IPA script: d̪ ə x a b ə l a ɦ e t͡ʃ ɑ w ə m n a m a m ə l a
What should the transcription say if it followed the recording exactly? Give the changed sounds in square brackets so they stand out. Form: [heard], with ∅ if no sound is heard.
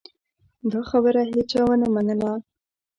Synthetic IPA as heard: d̪ [ɑ] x a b ə [ɾ] a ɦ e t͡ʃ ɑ w ə [∅] n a m a [n] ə l a